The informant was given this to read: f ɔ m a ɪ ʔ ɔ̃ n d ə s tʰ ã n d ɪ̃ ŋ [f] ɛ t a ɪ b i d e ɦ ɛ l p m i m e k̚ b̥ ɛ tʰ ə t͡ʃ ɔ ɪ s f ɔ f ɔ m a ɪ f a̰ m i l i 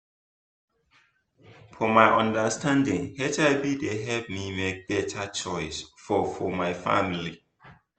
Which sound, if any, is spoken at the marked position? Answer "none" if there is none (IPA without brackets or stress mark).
h